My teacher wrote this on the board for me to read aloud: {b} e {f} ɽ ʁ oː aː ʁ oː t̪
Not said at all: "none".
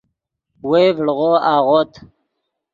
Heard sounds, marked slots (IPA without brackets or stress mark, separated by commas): w, v